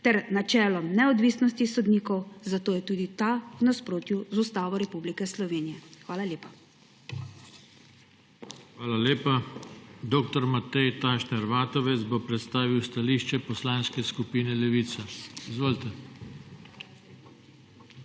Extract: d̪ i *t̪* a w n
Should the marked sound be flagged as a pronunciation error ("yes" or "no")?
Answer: no